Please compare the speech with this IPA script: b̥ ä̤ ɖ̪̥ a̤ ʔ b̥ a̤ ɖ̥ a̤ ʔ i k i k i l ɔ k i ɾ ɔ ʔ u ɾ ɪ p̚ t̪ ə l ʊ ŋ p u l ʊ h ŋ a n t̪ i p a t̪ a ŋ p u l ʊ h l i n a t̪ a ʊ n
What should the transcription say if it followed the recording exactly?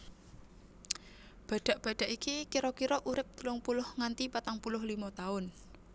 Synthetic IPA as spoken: b̥ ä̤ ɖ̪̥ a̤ ʔ b̥ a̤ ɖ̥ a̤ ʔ i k i k i ɾ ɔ k i ɾ ɔ ʔ u ɾ ɪ p̚ t̪ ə l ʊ ŋ p u l ʊ h ŋ a n t̪ i p a t̪ a ŋ p u l ʊ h l i m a t̪ a ʊ n